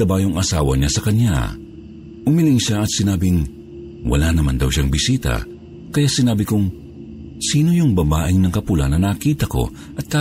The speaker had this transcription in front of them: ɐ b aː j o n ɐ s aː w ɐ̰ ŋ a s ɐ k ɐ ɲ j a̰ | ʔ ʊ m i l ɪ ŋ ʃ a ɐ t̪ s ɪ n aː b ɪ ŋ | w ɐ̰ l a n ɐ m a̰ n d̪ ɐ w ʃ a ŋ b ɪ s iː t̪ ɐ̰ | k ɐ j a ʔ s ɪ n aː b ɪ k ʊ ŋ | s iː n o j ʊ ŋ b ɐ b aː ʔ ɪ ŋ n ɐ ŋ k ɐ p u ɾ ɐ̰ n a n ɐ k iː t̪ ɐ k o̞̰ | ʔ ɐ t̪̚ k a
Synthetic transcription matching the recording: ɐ b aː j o ŋ ɐ s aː w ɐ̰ ɲ a s ɐ k ɐ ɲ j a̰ | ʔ ʊ m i l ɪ ŋ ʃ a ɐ t̪ s ɪ n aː b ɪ ŋ | w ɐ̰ l a n ɐ m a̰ n d̪ ɐ w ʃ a ŋ b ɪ s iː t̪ ɐ̰ | k ɐ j a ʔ s ɪ n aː b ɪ k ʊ ŋ | s iː n o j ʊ ŋ b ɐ b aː ʔ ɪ ŋ n ɐ ŋ k ɐ p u l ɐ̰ n ɐ n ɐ k iː t̪ ɐ k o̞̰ | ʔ ɐ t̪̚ k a